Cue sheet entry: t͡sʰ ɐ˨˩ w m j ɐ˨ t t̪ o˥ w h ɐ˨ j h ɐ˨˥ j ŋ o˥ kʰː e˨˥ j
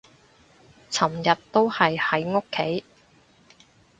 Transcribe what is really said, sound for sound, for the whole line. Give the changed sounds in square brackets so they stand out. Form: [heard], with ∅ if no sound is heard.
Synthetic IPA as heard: t͡sʰ ɐ˨˩ [∅] m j ɐ˨ t t̪ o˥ w h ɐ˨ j h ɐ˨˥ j ŋ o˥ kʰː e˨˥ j